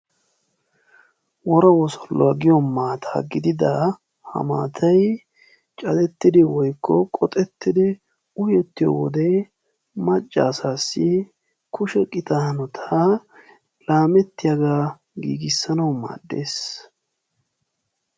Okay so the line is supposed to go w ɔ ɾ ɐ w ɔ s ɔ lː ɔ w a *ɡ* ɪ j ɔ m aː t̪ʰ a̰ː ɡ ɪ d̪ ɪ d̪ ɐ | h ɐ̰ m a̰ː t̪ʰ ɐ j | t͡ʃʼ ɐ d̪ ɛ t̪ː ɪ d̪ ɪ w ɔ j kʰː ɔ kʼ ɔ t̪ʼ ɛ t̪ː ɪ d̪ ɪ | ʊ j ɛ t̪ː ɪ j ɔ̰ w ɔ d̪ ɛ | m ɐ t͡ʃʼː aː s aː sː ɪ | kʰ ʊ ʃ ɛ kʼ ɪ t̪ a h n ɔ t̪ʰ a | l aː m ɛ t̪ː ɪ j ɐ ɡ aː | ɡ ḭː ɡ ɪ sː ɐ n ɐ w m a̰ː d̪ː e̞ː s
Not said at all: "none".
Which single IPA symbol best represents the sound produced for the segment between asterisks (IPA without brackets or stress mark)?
ɡ